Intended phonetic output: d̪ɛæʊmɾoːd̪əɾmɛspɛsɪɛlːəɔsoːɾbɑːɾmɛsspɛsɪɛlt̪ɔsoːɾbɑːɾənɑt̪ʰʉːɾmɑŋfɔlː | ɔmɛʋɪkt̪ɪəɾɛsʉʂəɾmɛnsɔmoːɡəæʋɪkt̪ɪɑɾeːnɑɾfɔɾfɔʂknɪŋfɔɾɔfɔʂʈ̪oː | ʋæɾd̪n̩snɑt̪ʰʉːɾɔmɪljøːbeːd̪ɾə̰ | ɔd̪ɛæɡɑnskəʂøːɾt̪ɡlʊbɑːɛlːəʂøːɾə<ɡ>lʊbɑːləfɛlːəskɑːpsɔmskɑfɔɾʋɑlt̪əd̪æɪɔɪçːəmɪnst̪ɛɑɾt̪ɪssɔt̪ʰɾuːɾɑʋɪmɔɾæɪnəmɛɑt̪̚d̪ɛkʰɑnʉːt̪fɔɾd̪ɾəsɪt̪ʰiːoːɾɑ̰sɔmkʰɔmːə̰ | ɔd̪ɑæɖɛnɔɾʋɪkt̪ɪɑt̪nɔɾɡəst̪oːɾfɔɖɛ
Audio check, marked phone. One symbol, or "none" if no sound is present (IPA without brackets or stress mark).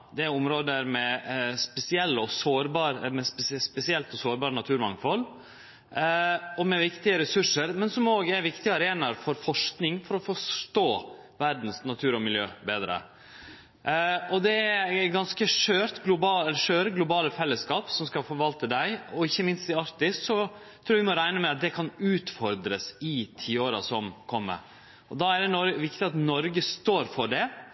ɡ